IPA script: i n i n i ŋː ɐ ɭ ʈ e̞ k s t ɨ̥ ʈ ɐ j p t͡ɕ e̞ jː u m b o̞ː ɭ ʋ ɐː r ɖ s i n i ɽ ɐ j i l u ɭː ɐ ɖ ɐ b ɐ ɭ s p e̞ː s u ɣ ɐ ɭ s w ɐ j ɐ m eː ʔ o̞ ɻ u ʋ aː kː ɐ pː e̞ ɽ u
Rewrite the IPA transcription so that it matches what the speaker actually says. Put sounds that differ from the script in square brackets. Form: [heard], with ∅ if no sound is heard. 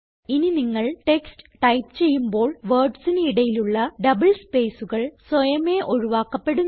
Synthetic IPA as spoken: i n i n i ŋː ɐ ɭ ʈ e̞ k s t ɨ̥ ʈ ɐ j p t͡ɕ e̞ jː u m b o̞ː ɭ ʋ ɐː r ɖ s i n i ɽ ɐ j i l u ɭː ɐ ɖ ɐ b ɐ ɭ s p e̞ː s u ɣ ɐ ɭ s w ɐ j ɐ m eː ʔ o̞ ɻ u ʋ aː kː ɐ pː e̞ ɽ u